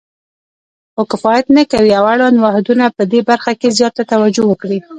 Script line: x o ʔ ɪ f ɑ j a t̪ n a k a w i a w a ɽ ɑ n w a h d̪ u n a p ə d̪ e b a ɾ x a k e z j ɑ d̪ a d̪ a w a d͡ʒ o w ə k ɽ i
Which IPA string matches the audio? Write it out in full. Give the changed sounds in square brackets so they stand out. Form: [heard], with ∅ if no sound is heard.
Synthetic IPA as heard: x o [k] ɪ f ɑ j a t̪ n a k a w i a w a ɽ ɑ n w a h d̪ u n a p ə d̪ e b a ɾ x a k e z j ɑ [t̪] a [t̪] a w a d͡ʒ o w ə k ɽ i